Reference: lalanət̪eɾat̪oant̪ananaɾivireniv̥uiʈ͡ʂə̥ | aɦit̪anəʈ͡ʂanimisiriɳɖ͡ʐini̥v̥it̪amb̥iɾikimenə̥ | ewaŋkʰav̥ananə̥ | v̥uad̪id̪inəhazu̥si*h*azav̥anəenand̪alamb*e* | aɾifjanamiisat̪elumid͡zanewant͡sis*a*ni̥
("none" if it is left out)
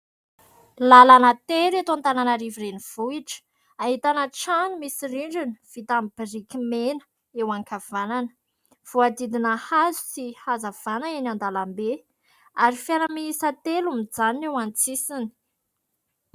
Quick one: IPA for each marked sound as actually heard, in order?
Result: h, e, i

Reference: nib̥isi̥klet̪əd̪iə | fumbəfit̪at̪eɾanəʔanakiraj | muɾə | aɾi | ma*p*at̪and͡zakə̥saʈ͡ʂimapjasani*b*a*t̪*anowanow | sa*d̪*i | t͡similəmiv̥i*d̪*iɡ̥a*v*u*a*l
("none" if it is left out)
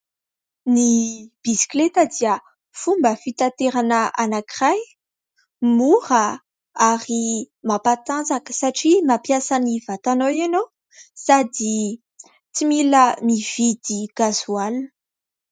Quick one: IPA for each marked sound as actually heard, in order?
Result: p, v, t̪, d̪, d̪, z, a

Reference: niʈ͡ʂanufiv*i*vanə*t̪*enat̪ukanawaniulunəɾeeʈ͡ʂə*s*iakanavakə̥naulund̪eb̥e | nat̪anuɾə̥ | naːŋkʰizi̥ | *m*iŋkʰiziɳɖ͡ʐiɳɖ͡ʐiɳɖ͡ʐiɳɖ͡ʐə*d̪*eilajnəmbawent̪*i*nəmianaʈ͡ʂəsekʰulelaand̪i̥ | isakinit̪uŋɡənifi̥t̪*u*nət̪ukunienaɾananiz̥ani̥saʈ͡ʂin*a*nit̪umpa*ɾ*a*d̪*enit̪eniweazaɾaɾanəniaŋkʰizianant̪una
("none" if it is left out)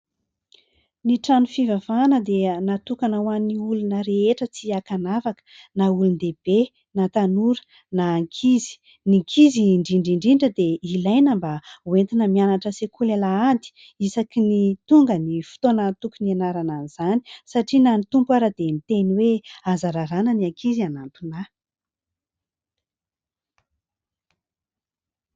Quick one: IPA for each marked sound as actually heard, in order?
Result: a, d̪, t͡s, n, d̪, i, o, a, ɾ, d̪

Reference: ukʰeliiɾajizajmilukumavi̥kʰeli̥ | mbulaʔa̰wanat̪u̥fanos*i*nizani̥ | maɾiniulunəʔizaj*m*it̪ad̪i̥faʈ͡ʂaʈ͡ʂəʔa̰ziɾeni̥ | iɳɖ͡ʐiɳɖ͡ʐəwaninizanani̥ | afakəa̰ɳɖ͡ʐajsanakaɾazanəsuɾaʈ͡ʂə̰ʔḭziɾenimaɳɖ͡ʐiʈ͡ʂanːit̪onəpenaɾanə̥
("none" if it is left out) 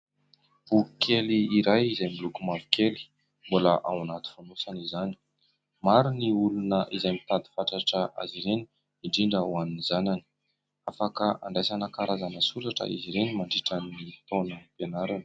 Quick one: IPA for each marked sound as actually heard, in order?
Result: a, m

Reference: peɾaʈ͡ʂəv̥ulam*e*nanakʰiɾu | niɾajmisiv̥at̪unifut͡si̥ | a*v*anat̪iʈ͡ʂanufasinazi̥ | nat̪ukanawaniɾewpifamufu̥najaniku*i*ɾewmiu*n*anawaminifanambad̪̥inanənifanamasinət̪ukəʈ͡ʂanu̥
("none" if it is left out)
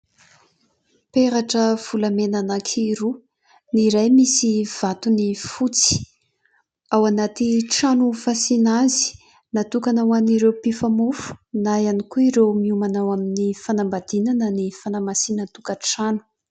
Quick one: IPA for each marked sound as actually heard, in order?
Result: e, w, i, m

